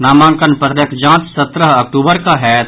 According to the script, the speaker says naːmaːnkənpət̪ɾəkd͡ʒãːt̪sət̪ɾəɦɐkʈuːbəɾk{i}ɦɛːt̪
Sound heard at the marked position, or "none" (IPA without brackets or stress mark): a